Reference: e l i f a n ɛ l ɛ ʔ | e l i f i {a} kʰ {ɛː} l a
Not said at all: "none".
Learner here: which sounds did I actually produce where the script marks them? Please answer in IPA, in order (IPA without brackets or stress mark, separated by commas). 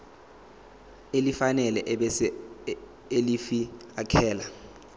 a, ɛː